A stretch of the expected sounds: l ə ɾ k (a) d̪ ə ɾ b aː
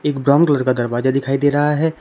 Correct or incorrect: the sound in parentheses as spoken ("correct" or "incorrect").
correct